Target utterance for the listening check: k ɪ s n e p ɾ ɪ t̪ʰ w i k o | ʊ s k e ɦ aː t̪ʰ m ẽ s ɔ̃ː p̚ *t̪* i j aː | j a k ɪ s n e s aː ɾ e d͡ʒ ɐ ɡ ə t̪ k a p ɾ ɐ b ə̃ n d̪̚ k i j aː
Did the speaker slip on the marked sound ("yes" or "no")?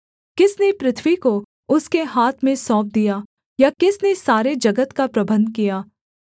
yes